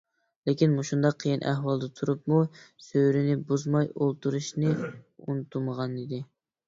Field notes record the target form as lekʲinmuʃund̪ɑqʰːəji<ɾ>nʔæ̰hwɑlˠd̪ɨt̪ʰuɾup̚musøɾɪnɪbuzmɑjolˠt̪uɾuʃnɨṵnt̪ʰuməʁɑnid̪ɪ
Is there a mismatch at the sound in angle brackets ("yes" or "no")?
yes